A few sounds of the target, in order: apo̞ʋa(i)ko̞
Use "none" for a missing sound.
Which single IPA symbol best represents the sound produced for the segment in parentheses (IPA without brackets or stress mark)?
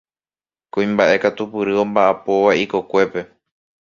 i